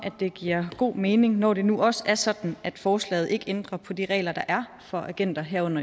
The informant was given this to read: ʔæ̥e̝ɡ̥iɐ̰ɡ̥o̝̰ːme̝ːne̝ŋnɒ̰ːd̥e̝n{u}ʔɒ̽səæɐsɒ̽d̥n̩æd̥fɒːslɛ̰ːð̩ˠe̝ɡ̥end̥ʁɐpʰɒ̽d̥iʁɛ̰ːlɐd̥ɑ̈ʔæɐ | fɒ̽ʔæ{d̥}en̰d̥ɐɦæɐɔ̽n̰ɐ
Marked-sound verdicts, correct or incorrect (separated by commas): correct, incorrect